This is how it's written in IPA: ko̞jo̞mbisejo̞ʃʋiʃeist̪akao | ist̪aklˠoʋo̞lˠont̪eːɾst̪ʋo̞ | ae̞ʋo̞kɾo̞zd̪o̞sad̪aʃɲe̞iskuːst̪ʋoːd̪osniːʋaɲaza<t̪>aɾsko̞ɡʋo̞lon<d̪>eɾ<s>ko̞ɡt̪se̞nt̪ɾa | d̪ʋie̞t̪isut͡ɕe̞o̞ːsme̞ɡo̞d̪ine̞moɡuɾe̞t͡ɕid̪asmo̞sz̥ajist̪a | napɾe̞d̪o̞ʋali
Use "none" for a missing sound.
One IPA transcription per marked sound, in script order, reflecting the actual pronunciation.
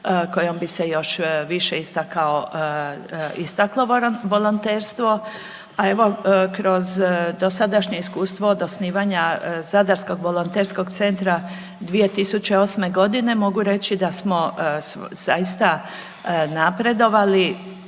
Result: d̪, t̪, s

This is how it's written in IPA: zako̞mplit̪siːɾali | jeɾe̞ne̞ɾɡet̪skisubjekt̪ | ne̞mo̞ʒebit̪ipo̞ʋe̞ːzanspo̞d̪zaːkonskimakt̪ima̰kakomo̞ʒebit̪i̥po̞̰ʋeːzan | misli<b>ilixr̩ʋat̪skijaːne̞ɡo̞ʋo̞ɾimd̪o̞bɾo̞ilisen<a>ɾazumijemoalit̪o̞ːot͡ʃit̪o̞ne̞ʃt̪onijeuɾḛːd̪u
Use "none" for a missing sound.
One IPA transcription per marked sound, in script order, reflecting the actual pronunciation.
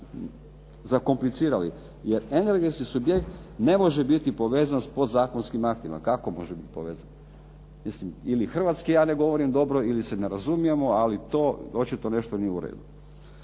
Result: m, e

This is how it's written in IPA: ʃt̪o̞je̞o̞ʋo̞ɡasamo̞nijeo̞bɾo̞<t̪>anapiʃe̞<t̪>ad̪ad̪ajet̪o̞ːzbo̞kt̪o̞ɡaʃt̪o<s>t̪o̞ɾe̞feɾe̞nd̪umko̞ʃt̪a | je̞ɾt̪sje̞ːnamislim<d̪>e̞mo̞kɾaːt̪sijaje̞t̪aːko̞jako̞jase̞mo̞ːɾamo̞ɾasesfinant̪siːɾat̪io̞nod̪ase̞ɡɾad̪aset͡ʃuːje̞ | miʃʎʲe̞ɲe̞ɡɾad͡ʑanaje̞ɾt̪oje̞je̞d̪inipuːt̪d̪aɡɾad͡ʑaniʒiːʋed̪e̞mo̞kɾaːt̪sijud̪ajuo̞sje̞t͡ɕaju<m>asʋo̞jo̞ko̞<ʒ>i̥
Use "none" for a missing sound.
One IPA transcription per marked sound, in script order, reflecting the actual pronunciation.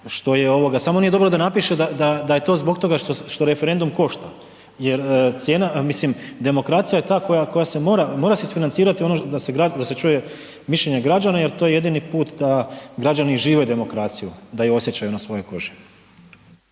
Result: d̪, d̪, ʃ, d̪, n, ʒ

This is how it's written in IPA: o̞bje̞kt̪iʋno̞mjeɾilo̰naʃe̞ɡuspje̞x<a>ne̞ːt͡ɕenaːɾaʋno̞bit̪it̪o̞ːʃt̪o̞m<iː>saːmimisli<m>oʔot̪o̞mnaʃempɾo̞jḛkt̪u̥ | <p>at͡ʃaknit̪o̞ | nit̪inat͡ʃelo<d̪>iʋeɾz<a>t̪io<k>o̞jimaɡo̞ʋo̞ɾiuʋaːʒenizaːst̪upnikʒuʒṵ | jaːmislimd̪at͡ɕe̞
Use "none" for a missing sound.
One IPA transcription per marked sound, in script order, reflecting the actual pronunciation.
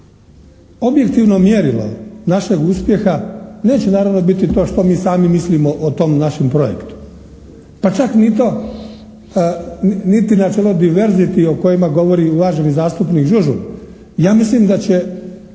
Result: a, iː, m, p, d̪, i, k

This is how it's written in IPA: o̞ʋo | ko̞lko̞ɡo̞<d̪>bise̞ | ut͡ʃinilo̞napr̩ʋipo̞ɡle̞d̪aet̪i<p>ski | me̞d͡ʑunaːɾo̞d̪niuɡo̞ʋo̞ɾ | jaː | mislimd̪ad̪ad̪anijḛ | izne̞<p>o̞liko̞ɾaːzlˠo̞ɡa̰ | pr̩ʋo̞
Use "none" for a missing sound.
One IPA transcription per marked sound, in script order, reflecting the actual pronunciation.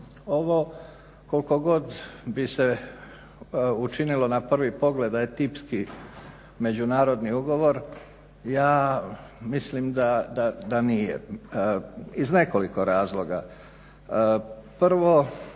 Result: d̪, p, k

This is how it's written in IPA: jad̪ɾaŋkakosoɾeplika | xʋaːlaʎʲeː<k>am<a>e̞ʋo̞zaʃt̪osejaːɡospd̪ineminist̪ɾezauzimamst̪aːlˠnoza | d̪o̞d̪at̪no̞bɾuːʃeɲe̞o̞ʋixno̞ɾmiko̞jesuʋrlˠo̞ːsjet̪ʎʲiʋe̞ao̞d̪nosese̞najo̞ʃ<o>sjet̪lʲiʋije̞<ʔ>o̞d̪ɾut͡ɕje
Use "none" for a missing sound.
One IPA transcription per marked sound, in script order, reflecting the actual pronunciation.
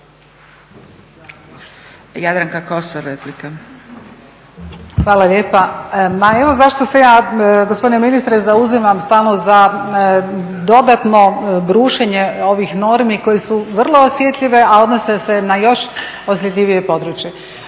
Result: p, a, o, p

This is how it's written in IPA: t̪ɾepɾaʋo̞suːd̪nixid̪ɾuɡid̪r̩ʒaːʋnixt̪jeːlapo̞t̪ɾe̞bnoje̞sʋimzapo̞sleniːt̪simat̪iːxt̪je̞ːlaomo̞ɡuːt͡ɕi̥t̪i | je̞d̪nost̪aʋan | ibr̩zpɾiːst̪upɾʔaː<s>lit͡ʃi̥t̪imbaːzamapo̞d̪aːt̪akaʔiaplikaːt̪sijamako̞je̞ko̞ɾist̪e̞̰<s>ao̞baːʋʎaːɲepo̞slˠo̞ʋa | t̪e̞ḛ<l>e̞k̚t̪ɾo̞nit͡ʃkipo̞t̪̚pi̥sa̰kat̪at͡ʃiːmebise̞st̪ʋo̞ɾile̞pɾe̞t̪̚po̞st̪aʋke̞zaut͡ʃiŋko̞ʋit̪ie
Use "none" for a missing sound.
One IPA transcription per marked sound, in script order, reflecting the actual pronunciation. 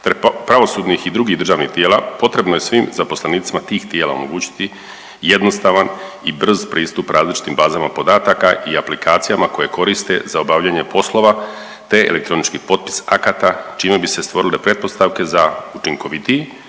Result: z, z, l

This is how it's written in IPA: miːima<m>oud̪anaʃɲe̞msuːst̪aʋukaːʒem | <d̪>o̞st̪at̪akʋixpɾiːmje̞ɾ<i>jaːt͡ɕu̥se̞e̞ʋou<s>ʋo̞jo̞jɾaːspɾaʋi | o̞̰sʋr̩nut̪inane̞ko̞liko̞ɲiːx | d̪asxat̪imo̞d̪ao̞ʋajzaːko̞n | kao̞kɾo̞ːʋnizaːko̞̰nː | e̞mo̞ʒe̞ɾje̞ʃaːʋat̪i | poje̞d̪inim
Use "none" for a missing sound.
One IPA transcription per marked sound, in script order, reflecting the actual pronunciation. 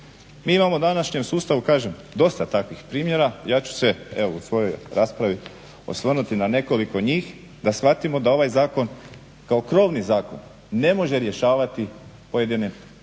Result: m, d̪, a, s

